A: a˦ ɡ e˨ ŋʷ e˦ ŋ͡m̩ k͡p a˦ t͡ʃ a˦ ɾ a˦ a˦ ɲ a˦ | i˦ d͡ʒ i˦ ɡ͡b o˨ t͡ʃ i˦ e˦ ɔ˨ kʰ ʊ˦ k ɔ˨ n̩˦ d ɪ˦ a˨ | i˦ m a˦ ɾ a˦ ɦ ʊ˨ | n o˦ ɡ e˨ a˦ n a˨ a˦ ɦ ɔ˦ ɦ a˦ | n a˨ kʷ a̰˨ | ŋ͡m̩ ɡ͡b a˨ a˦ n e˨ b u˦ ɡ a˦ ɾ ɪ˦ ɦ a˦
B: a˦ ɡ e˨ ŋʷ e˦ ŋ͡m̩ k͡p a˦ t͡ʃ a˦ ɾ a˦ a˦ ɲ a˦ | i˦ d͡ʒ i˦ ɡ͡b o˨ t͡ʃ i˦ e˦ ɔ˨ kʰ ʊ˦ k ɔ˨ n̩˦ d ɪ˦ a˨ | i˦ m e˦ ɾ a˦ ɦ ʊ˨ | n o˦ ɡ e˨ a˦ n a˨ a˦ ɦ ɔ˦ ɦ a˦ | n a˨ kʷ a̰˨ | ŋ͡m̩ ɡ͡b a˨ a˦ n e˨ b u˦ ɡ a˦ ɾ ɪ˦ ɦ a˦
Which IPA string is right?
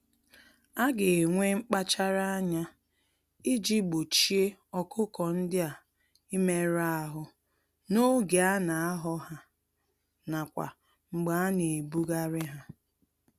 B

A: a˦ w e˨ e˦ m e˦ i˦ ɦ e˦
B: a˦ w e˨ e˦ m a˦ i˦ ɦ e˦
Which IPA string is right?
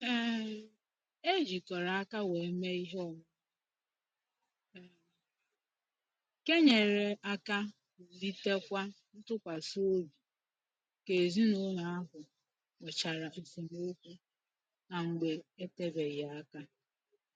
A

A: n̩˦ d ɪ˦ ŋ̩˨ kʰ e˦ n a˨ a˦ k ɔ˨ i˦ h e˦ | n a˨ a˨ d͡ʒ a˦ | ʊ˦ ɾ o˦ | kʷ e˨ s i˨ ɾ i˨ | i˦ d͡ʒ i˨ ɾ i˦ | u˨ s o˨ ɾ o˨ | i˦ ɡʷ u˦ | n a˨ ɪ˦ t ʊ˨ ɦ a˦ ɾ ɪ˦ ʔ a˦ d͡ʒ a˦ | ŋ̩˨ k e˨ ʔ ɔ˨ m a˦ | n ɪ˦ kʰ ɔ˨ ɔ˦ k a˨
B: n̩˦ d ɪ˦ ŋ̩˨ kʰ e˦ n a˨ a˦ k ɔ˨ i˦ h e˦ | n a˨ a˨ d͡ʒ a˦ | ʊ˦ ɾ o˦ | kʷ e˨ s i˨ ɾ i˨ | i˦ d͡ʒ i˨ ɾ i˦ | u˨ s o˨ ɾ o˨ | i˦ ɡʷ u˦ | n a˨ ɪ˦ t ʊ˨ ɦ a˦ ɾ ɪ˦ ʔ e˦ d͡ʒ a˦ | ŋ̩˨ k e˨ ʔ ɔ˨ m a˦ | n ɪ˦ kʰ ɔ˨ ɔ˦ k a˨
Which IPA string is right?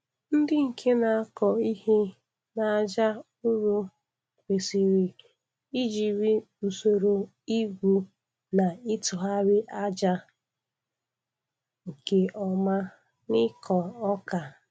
A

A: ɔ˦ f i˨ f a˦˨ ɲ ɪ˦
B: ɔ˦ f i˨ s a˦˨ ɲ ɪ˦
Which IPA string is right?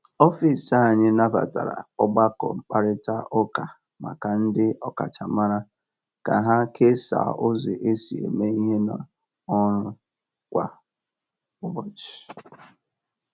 B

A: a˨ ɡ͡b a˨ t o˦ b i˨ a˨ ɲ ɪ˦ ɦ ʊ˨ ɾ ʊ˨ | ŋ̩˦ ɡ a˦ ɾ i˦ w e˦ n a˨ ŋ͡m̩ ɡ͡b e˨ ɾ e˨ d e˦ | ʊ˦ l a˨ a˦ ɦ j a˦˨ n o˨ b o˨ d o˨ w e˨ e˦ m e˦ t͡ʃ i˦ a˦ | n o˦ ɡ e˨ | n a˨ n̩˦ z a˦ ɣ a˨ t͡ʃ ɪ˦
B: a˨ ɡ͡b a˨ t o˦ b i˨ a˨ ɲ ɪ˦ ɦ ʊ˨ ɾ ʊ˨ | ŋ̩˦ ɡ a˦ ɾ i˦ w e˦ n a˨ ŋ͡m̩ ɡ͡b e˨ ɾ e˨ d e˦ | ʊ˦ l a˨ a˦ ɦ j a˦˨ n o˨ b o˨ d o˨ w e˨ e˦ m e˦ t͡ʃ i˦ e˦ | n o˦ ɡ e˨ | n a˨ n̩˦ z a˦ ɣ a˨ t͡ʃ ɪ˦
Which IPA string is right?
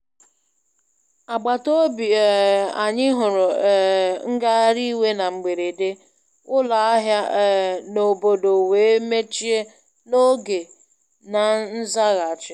B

